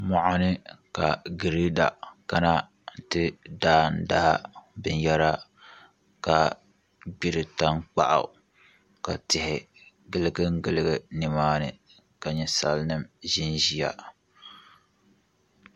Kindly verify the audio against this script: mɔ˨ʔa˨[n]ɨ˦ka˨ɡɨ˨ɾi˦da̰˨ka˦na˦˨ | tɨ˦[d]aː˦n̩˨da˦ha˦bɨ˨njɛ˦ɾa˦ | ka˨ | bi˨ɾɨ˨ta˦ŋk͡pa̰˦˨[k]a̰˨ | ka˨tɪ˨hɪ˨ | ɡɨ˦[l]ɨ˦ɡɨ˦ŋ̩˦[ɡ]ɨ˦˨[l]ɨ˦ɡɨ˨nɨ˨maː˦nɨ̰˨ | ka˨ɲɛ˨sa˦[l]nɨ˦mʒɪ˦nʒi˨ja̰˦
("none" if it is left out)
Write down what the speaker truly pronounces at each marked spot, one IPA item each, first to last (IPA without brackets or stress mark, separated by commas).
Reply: n, d, ʔ, l, ɡ, l, l